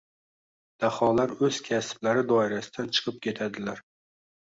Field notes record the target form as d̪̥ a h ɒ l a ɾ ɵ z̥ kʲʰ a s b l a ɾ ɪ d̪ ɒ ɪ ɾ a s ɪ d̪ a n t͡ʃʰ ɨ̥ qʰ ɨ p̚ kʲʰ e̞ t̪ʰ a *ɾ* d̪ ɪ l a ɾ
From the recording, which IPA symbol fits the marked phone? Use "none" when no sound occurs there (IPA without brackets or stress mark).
none